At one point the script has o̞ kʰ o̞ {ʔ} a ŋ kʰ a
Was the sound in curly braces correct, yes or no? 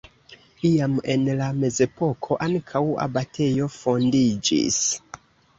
yes